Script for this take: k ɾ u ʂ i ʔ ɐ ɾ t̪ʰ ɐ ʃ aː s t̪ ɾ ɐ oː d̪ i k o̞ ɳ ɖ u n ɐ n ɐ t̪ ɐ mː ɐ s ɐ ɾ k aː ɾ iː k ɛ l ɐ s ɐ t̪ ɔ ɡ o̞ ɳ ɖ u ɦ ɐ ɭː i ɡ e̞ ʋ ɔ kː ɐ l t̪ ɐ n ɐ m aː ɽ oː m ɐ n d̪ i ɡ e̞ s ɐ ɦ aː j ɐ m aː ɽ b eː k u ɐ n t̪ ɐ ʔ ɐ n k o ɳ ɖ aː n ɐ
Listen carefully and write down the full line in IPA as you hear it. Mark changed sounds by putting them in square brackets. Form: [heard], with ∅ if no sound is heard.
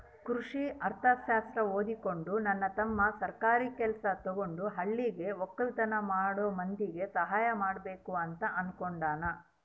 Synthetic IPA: k ɾ u ʂ i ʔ ɐ ɾ t̪ʰ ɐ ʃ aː s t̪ ɾ ɐ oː d̪ i k o̞ ɳ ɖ u n ɐ [nː] ɐ t̪ ɐ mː ɐ s ɐ ɾ k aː ɾ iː k ɛ l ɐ s ɐ t̪ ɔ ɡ o̞ ɳ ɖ u ɦ ɐ ɭː i ɡ e̞ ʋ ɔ kː ɐ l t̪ ɐ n ɐ m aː ɽ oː m ɐ n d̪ i ɡ e̞ s ɐ ɦ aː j ɐ m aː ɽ b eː k u ɐ n t̪ ɐ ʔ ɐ n k o ɳ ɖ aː n ɐ